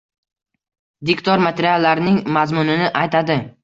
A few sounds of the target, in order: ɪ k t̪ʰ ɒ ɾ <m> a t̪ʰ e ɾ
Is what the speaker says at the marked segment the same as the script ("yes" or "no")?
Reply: yes